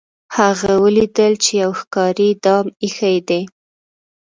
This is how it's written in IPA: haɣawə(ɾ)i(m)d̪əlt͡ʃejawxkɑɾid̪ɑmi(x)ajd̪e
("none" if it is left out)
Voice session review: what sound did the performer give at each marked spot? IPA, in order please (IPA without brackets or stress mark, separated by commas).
l, none, x